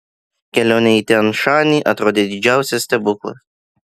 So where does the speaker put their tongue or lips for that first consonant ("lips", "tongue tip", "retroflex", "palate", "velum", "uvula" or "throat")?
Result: velum